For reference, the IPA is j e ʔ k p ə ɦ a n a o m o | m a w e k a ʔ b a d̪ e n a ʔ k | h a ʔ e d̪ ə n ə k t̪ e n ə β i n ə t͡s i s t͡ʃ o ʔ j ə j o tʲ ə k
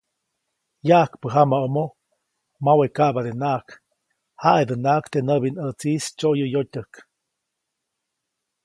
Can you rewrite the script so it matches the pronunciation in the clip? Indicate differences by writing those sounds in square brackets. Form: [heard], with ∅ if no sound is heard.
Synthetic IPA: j [a] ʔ k p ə ɦ a [m] a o m o | m a w e k a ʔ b a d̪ e n a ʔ k | h a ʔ e d̪ ə n [a] k t̪ e n ə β i n ə t͡s i s t͡ʃ o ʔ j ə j o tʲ ə k